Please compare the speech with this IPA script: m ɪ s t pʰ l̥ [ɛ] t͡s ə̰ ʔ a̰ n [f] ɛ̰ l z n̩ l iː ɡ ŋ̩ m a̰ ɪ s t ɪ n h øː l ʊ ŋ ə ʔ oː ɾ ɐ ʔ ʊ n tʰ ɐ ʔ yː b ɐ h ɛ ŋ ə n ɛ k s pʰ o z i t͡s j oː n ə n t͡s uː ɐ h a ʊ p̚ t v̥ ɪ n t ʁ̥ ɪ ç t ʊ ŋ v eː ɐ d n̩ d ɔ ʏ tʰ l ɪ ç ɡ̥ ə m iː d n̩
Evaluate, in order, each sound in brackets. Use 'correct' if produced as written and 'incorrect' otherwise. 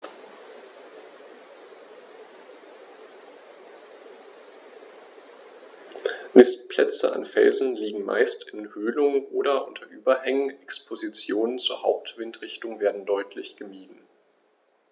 correct, correct

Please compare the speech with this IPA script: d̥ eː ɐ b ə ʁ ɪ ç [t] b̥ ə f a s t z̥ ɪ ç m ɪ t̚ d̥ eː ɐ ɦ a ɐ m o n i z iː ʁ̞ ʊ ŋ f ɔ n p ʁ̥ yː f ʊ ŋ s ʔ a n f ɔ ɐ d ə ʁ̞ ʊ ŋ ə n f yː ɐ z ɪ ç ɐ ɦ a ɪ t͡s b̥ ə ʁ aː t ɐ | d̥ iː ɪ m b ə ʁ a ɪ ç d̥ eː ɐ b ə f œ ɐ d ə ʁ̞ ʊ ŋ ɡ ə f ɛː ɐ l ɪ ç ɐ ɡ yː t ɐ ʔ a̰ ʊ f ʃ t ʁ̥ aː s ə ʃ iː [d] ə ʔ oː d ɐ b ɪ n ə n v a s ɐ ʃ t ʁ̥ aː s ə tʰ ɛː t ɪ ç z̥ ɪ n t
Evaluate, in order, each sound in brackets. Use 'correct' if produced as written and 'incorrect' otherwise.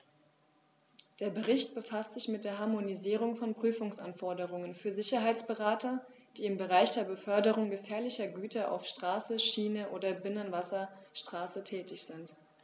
correct, incorrect: n

